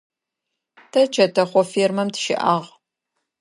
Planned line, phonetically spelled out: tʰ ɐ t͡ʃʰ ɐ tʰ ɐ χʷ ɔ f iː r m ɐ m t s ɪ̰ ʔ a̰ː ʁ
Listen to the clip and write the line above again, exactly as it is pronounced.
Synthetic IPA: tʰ ɐ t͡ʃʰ ɐ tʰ ɐ χʷ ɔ f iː r m ɐ m t ʃ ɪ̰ ʔ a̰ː ʁ